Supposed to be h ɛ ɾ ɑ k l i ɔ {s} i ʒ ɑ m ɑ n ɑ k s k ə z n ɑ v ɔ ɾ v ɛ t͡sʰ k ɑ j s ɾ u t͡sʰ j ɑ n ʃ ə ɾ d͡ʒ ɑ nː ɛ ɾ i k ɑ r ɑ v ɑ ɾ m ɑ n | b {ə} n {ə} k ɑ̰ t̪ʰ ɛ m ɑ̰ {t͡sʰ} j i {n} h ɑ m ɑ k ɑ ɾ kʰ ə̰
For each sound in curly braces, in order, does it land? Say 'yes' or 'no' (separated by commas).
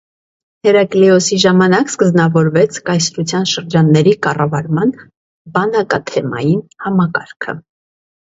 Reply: yes, no, no, no, yes